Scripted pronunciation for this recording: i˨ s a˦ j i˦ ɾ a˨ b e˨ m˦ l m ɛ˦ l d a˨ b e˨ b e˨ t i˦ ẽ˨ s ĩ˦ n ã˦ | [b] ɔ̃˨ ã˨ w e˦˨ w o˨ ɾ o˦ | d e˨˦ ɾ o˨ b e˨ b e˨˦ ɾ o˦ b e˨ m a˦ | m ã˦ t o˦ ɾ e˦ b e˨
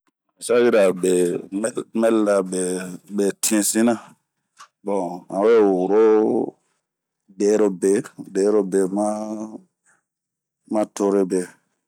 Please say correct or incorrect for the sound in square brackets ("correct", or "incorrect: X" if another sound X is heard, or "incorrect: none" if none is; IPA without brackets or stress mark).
correct